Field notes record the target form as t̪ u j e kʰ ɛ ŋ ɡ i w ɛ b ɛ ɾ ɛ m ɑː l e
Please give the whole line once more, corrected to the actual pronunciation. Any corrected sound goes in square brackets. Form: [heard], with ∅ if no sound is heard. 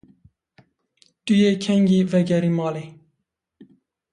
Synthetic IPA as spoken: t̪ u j e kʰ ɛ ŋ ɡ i [v] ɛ [ɡ] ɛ ɾ [i] m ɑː l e